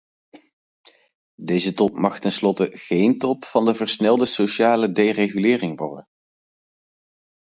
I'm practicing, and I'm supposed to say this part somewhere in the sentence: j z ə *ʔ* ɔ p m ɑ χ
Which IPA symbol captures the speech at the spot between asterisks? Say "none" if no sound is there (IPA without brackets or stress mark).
t